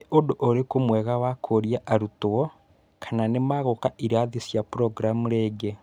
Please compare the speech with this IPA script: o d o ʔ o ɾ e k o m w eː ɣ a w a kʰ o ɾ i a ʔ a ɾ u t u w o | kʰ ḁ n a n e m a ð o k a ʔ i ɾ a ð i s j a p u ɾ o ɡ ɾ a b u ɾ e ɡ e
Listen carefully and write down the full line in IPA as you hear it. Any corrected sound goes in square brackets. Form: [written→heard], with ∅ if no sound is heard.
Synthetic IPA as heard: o d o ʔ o ɾ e k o m w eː ɣ a w a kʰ o ɾ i a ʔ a ɾ u t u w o | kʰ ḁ n a n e m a [ð→ɣ] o k a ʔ i ɾ a ð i s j a p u ɾ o ɡ ɾ a [b→m] u ɾ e ɡ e